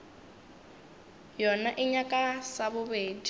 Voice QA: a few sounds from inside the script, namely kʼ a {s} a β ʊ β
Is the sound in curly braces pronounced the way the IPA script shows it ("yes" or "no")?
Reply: yes